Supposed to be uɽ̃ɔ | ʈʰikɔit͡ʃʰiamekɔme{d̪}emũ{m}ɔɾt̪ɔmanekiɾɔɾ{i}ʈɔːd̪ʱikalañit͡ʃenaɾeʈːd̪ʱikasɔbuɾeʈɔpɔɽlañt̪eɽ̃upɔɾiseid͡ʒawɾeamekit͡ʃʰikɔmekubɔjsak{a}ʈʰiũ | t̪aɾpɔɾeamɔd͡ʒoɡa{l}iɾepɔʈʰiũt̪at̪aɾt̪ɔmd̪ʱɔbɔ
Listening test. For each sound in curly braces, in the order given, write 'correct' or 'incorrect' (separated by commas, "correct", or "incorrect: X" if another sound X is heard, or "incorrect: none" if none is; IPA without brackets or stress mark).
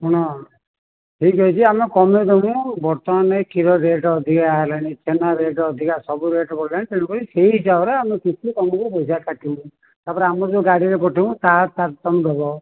correct, incorrect: b, incorrect: e, correct, incorrect: ɽ